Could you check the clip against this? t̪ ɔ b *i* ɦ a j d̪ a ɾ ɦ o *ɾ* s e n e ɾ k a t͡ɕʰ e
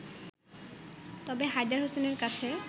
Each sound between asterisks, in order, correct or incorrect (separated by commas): incorrect, incorrect